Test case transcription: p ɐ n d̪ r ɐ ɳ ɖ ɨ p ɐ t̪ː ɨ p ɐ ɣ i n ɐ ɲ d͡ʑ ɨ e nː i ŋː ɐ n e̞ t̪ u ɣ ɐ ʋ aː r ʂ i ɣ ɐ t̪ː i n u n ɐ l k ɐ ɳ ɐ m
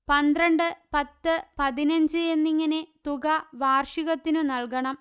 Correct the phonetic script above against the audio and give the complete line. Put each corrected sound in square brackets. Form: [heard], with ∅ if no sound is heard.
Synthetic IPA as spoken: p ɐ n d̪ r ɐ ɳ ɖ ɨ p ɐ t̪ː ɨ p ɐ [ð] i n ɐ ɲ d͡ʑ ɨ e nː i ŋː ɐ n e̞ t̪ u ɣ ɐ ʋ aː r ʂ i ɣ ɐ t̪ː i n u n ɐ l k ɐ ɳ ɐ m